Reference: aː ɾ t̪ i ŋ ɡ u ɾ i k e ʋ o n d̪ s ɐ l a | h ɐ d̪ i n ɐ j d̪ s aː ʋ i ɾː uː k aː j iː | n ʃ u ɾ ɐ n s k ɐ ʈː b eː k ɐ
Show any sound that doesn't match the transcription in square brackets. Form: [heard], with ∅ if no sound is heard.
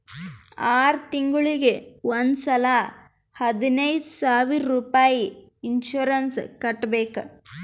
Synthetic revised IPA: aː ɾ t̪ i ŋ ɡ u [ɭ] i [ɡ] e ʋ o n d̪ s ɐ l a | h ɐ d̪ i n ɐ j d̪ s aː ʋ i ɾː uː [p] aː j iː | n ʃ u ɾ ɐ n s k ɐ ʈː b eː k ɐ